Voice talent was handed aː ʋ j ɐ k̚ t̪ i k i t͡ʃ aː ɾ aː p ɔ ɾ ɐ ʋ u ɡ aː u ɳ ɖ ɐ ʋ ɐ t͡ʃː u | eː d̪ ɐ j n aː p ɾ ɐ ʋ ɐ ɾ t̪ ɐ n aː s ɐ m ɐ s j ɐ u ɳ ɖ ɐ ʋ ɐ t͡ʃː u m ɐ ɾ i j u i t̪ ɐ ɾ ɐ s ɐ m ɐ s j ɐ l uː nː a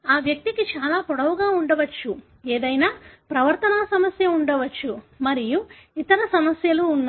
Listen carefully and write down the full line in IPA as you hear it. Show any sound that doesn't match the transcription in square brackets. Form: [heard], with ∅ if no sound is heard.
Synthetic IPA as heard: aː ʋ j ɐ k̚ t̪ i k i t͡ʃ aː [l] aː p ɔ [ɽ] ɐ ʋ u ɡ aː u ɳ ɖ ɐ ʋ ɐ t͡ʃː u | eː d̪ ɐ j n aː p ɾ ɐ ʋ ɐ ɾ t̪ ɐ n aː s ɐ m ɐ s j ɐ u ɳ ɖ ɐ ʋ ɐ t͡ʃː u m ɐ ɾ i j u i t̪ ɐ ɾ ɐ s ɐ m ɐ s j ɐ l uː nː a